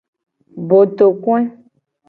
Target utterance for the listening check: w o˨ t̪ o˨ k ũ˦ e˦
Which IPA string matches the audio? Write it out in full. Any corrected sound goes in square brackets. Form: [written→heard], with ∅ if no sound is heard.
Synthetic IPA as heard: [w→b] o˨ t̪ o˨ k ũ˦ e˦